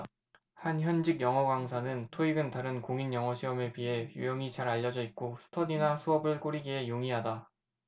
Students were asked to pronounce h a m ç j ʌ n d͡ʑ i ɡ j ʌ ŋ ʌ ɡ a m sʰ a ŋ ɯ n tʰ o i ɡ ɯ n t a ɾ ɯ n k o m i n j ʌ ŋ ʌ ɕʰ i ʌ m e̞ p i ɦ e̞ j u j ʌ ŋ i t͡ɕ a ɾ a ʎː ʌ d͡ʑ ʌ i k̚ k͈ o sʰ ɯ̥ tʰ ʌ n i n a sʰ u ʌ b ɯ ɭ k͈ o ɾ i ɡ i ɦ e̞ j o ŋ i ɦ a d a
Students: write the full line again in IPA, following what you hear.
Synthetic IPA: h a n ç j ʌ n d͡ʑ i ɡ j ʌ ŋ ʌ ɡ a ŋ sʰ a n ɯ n tʰ o i ɡ ɯ n t a ɾ ɯ n k o ŋ i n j ʌ ŋ ʌ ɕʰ i ʌ m e̞ p i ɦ e̞ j u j ʌ ŋ i t͡ɕ a ɾ a ʎː ʌ d͡ʑ ʌ i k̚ k͈ o sʰ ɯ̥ tʰ ʌ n i n a sʰ u ʌ b ɯ ɭ k͈ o ɾ i ɡ i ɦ e̞ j o ŋ i ɦ a d a